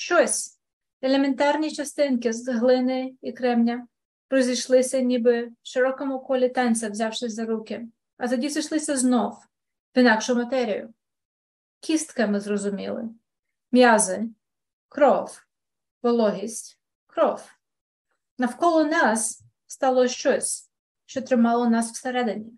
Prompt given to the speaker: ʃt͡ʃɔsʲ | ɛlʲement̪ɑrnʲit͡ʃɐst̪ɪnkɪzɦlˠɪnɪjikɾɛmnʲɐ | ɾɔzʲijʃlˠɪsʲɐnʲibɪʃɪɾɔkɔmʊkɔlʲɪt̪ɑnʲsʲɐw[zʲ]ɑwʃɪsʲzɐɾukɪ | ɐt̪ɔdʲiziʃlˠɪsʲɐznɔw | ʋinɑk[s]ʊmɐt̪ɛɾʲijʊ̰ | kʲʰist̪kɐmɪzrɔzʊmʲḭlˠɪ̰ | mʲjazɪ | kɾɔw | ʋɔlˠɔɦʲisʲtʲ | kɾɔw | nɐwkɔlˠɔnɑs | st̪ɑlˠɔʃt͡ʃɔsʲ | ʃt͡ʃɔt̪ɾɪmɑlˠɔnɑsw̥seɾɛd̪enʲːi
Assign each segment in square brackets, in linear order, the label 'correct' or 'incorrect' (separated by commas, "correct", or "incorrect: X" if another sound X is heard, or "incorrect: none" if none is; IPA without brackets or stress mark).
correct, incorrect: ʃ